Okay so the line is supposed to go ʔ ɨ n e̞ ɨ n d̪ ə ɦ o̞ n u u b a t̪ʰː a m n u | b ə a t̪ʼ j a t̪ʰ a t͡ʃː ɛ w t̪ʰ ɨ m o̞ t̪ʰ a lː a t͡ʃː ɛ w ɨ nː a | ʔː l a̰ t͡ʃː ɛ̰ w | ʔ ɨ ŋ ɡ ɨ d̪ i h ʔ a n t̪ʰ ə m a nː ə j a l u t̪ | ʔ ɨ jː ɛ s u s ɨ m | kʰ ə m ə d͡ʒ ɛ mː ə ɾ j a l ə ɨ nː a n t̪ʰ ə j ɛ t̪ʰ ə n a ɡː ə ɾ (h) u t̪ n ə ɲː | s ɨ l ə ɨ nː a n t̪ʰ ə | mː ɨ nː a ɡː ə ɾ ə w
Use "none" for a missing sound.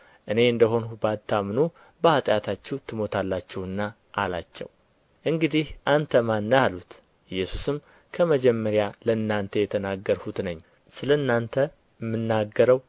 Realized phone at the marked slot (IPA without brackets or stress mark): h